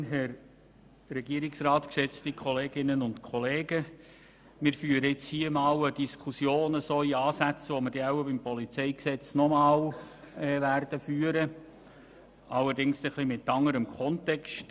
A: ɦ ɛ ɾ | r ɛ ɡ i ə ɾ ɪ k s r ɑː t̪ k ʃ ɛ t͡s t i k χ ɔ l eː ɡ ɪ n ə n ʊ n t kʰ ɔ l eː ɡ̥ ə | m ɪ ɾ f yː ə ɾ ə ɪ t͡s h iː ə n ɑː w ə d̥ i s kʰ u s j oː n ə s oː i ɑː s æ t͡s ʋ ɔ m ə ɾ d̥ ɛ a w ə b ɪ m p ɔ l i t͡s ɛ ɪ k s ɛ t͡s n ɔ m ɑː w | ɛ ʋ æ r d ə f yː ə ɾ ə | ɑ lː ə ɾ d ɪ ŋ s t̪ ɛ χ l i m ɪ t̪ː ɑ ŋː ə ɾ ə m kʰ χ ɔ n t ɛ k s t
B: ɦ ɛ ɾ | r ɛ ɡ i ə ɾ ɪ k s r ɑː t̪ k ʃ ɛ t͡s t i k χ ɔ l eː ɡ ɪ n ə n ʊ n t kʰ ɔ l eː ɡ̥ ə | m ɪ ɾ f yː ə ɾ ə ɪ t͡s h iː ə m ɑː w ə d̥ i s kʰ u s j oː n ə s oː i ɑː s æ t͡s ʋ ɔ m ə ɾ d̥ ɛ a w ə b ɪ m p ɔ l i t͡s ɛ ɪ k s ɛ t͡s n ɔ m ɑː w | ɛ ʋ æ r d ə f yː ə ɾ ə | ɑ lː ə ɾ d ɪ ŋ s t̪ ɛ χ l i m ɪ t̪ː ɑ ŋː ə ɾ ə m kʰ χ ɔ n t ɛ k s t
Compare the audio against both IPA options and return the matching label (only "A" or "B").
B